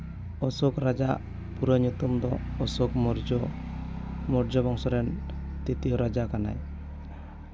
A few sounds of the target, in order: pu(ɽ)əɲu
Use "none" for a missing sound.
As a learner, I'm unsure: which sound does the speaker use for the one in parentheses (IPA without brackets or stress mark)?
ɾ